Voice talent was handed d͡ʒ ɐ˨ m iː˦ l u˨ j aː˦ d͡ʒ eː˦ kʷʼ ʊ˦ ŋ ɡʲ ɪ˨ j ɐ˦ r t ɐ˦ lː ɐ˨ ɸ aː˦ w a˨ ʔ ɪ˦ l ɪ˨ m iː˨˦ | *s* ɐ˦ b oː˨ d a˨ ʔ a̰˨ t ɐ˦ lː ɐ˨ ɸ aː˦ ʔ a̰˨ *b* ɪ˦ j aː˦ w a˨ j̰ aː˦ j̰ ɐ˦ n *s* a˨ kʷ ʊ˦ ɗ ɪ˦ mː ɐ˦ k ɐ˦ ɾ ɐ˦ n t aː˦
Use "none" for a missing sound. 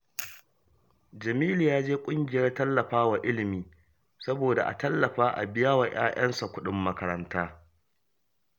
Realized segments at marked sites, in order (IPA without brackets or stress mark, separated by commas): s, b, s